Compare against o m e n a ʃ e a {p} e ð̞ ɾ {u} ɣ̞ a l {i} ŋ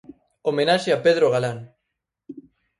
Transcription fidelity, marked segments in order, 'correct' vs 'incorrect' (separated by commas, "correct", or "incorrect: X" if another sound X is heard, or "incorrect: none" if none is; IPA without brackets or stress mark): correct, incorrect: o, incorrect: a